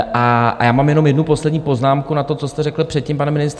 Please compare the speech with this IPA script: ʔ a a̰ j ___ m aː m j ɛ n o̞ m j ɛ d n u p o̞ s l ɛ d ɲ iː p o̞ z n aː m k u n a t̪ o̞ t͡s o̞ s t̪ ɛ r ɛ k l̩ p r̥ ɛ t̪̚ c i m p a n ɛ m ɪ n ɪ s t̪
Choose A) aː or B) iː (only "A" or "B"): A